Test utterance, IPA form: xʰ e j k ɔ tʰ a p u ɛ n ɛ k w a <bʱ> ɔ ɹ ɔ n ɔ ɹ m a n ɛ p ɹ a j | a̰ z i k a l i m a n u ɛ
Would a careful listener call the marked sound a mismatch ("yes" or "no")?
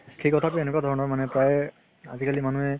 yes